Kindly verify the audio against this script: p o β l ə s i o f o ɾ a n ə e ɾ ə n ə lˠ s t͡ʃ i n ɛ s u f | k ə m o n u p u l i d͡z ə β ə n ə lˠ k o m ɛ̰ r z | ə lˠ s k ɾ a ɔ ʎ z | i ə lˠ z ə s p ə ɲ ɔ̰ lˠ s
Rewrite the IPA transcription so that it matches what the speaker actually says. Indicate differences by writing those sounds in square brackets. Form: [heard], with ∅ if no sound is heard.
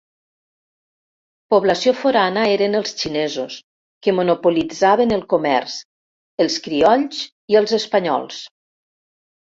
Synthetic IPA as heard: p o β l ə s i o f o ɾ a n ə e ɾ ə n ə lˠ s t͡ʃ i n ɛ [z] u [s] | k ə m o n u p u l i d͡z [a] β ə n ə lˠ k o m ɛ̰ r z | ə lˠ s k ɾ [i] ɔ ʎ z | i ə lˠ z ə s p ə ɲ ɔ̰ lˠ s